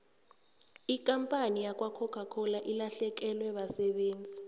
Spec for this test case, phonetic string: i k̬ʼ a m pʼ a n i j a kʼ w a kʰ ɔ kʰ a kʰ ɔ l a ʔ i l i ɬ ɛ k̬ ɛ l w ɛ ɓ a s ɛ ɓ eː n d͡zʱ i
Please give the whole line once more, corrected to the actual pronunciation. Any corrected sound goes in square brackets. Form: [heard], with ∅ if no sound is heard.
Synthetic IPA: i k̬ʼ a m pʼ a n i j a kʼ w a kʰ ɔ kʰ a kʰ ɔ l a ʔ i l [a] ɬ ɛ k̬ ɛ l w ɛ ɓ a s ɛ ɓ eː n d͡zʱ i